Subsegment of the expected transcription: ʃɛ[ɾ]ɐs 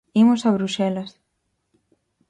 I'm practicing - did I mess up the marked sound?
yes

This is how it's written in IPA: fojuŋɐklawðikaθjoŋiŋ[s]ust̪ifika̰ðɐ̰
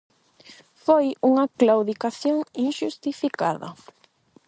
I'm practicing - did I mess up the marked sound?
yes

